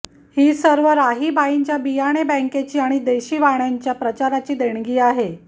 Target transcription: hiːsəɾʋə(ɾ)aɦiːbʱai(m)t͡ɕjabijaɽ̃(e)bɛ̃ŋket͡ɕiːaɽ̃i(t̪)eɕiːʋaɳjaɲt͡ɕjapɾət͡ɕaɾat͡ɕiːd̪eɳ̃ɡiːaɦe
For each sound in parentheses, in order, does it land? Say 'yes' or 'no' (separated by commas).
yes, no, yes, no